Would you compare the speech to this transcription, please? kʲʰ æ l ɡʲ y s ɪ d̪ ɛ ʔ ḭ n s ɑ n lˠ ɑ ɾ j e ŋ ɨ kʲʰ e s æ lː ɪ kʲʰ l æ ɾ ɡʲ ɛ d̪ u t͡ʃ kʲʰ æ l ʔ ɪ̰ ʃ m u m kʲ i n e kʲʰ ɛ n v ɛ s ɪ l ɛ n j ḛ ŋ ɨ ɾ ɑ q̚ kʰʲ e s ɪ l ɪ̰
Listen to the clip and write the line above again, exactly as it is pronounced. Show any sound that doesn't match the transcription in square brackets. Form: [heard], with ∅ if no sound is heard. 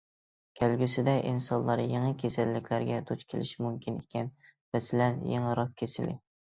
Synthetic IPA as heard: kʲʰ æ l ɡʲ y s ɪ d̪ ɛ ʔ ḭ n s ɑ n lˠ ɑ ɾ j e ŋ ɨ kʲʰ e s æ lː ɪ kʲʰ l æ ɾ ɡʲ ɛ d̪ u t͡ʃ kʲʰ [e] l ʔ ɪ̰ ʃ m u m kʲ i n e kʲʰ ɛ n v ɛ s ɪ l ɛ n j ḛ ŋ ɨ ɾ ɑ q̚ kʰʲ e s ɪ l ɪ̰